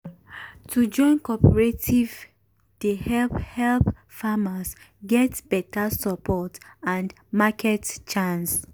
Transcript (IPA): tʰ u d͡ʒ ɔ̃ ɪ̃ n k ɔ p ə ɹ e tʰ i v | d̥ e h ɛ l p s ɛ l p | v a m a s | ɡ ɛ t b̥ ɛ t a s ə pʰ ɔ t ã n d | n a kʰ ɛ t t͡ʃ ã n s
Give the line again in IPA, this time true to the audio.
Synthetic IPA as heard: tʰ u d͡ʒ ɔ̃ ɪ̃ n k ɔ p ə ɹ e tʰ i v | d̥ e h ɛ l p h ɛ l p | f a m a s | ɡ ɛ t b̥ ɛ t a s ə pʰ ɔ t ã n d | m a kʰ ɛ t t͡ʃ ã n s